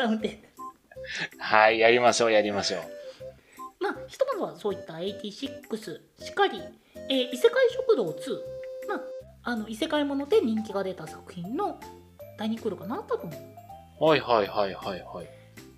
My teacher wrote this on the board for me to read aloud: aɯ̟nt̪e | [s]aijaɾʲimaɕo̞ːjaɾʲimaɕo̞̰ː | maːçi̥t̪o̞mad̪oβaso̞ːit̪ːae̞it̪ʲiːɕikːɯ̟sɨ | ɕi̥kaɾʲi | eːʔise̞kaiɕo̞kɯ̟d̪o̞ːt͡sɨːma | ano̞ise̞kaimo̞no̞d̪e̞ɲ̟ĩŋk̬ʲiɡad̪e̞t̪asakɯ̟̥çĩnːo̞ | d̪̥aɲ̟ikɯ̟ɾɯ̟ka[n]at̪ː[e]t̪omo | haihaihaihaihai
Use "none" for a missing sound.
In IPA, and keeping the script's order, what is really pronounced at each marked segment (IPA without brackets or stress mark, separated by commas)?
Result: h, n, a